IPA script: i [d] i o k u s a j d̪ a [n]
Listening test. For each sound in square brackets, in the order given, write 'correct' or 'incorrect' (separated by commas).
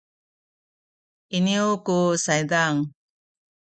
incorrect, incorrect